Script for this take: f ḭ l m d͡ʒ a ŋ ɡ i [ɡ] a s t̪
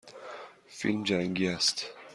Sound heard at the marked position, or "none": none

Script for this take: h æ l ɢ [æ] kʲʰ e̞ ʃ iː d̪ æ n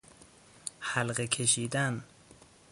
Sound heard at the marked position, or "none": e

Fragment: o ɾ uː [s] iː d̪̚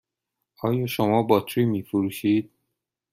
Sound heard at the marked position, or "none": ʃ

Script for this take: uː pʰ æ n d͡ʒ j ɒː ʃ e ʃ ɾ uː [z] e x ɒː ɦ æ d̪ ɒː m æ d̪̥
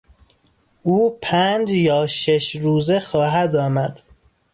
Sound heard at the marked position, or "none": z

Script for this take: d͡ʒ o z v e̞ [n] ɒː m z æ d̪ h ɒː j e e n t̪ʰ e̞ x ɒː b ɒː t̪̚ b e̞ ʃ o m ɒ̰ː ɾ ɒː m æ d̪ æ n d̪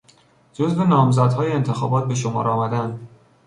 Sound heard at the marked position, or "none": n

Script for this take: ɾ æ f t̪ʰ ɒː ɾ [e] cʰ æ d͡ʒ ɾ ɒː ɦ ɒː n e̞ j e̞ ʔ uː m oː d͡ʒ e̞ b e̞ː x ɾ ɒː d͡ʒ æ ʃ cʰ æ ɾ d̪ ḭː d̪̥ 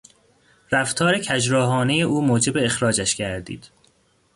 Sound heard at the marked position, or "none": e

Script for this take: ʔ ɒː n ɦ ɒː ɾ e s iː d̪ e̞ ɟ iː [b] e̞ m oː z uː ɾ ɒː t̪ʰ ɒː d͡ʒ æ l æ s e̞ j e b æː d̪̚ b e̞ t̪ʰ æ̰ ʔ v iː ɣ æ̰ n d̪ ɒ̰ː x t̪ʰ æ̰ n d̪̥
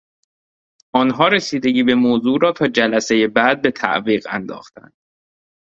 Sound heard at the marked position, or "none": b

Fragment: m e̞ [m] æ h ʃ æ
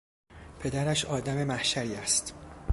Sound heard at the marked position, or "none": m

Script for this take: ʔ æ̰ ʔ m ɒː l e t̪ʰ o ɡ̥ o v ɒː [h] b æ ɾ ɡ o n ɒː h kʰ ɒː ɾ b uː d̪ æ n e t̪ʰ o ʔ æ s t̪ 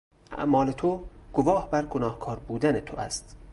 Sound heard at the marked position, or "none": h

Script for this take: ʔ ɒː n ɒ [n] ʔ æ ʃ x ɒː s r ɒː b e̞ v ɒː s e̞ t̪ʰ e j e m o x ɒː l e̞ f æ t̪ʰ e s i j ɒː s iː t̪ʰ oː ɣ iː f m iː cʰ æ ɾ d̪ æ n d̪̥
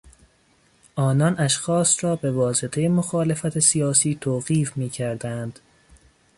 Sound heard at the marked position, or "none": n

